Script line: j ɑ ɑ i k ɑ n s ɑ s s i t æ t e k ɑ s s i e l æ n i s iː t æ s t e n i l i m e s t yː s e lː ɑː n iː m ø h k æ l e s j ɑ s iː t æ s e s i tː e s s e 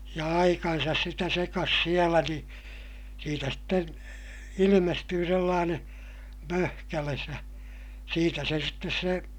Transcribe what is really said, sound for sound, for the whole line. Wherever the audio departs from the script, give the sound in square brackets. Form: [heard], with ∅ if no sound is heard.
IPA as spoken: j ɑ ɑ i k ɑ n s ɑ s s i t æ [s] e k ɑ s s i e l æ n i s iː t æ s t e n i l i m e s t yː s e lː ɑː n [eː] m ø h k æ l e s j ɑ s iː t æ s e s i tː e s s e